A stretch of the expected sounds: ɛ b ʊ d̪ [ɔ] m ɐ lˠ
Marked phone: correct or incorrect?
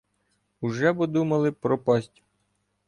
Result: incorrect